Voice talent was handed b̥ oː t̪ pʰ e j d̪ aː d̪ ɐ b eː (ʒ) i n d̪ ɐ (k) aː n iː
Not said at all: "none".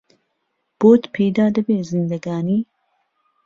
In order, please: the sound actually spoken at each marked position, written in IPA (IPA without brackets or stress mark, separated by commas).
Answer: z, ɡ